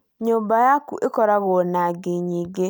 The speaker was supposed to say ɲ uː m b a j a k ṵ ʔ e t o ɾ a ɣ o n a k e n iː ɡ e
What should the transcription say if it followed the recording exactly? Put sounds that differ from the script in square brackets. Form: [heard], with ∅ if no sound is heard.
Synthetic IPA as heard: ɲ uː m b a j a k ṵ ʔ e [k] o ɾ a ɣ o n a [ɡ] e [ɲ] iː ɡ e